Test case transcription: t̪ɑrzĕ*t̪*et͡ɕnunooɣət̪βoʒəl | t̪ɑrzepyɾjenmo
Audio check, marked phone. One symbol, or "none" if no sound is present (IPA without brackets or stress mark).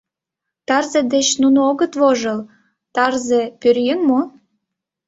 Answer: d̪